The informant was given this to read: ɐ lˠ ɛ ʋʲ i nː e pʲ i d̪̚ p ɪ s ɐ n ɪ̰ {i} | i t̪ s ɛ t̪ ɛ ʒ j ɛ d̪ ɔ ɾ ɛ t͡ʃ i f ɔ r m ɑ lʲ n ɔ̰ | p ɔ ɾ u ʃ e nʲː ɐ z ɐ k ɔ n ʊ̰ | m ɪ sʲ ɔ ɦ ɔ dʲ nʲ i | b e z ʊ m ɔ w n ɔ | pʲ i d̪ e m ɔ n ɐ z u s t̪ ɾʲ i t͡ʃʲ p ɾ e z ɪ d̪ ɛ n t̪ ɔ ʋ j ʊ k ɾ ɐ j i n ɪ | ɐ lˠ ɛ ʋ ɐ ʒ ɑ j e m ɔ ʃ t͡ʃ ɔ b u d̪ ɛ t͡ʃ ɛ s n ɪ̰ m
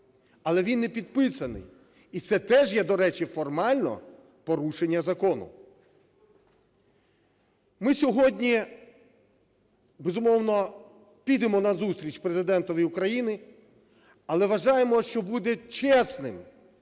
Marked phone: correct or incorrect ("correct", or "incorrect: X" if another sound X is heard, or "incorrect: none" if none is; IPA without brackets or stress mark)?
incorrect: j